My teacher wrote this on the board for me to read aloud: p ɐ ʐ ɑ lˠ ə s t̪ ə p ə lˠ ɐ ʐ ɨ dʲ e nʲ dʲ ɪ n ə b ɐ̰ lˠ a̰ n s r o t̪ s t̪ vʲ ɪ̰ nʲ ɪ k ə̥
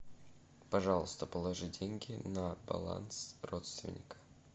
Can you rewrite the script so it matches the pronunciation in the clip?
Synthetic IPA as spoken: p ɐ ʐ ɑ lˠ ə s t̪ ə p ə lˠ ɐ ʐ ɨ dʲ e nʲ ɡʲ ɪ n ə b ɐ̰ lˠ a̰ n s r o t̪ s t̪ vʲ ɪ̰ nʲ ɪ k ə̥